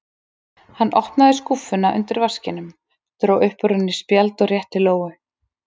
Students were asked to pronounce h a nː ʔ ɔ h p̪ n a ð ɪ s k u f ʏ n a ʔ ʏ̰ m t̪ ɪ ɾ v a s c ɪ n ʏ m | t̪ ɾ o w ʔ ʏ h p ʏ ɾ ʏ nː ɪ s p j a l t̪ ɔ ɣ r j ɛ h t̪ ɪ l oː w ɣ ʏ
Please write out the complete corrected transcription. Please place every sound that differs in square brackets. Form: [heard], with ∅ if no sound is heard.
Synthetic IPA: h a nː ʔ ɔ h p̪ n a ð ɪ s k u f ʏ n a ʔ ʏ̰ [n] t̪ ɪ ɾ v a s c ɪ n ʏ m | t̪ ɾ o w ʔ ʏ h p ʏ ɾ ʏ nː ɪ s p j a l t̪ ɔ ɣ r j ɛ h t̪ ɪ l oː w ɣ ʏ